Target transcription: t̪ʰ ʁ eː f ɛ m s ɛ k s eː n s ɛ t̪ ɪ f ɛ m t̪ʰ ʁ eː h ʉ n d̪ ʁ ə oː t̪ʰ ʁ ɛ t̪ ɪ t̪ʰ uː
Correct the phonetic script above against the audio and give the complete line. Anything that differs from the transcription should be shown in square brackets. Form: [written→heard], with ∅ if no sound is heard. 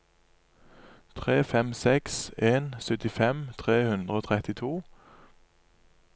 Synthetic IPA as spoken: t̪ʰ ʁ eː f ɛ m s ɛ k s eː n s [ɛ→œ] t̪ ɪ f ɛ m t̪ʰ ʁ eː h ʉ n d̪ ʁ ə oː t̪ʰ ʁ ɛ t̪ ɪ t̪ʰ uː